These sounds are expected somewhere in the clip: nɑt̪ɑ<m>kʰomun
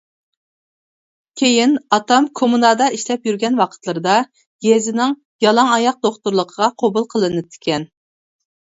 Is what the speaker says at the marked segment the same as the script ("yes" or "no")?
yes